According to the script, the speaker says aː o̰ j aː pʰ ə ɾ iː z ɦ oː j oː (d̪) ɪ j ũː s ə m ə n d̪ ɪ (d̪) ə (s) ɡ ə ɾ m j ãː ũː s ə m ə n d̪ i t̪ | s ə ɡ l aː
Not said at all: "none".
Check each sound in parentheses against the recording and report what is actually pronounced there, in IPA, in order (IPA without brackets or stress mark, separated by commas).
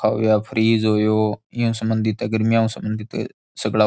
none, t̪, none